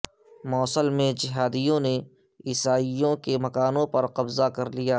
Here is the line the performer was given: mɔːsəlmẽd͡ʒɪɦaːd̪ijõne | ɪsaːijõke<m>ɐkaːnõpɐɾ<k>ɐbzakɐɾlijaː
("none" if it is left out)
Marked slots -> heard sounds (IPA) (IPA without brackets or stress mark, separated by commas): m, q